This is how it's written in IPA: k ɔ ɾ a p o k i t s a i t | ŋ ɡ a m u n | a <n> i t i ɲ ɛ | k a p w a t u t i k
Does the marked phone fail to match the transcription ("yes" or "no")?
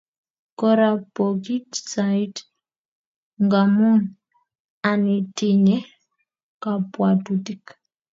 no